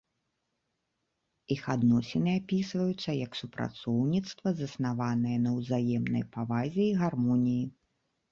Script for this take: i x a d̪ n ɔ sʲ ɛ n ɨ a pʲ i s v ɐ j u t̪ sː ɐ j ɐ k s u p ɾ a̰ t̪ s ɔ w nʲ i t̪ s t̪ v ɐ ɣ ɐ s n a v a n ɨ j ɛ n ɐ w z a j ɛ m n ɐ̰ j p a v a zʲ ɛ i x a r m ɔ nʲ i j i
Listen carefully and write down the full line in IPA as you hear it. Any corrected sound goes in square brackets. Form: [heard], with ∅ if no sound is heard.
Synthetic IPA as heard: i x a d̪ n ɔ sʲ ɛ n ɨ a pʲ i s v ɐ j u t̪ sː ɐ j ɐ k s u p ɾ a̰ t̪ s ɔ w nʲ i t̪ s t̪ v ɐ [z] ɐ s n a v a n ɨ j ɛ n ɐ w z a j ɛ m n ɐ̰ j p a v a zʲ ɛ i [ɣ] a r m ɔ nʲ i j i